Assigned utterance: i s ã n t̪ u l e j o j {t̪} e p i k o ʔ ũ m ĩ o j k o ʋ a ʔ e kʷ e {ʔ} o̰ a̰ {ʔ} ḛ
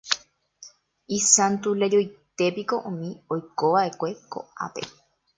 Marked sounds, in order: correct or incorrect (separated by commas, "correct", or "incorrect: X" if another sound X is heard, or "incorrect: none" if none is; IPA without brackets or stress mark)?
correct, incorrect: k, incorrect: p